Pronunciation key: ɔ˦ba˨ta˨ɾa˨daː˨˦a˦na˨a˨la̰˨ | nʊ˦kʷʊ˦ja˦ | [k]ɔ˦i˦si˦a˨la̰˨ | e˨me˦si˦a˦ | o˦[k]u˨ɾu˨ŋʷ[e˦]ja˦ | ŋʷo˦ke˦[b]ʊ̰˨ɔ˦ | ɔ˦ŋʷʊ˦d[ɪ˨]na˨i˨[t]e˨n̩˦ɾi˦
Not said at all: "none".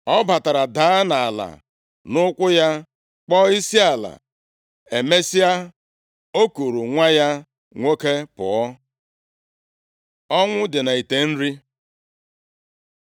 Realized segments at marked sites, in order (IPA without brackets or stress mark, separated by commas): k͡p, k, a˦, p, ɪ˨, t